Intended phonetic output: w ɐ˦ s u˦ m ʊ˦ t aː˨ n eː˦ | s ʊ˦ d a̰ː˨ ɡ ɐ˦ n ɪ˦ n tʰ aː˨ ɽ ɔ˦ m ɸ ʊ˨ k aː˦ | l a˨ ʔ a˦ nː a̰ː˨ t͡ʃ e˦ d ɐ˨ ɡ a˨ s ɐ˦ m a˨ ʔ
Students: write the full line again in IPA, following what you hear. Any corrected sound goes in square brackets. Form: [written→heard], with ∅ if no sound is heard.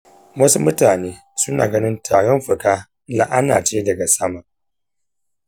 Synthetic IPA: w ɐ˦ s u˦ m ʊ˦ t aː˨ n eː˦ | s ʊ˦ [d→n] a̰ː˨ ɡ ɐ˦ n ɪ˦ n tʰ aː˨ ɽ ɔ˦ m ɸ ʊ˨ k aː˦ | l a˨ ʔ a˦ [nː→n] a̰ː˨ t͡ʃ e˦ d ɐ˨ ɡ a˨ s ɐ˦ m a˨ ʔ